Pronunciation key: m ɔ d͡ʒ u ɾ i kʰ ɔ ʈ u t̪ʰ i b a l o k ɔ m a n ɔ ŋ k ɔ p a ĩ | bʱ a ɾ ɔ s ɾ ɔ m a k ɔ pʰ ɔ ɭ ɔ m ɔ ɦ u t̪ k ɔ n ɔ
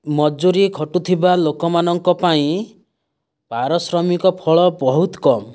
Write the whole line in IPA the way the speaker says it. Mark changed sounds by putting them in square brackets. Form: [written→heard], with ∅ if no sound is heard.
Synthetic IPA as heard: m ɔ d͡ʒ u ɾ i kʰ ɔ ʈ u t̪ʰ i b a l o k ɔ m a n ɔ ŋ k ɔ p a ĩ | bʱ a ɾ ɔ s ɾ ɔ m [a→i] k ɔ pʰ ɔ ɭ ɔ [m→b] ɔ ɦ u t̪ k ɔ [n→m] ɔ